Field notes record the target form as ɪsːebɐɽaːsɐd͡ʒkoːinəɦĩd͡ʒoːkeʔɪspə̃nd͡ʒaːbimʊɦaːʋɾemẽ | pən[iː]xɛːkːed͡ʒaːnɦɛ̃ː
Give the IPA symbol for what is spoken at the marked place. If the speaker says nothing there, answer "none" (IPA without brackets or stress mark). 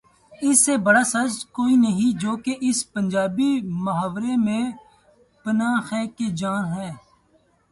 aː